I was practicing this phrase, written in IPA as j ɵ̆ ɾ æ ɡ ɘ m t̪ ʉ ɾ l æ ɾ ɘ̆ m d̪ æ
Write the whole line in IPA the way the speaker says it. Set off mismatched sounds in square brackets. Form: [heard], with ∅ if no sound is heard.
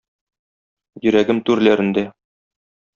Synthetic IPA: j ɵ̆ ɾ æ ɡ ɘ m t̪ ʉ ɾ l æ ɾ ɘ̆ [n] d̪ æ